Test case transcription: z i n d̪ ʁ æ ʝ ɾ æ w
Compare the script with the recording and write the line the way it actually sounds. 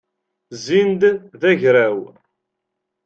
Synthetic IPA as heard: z i n d̪ ð æ ʝ ɾ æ w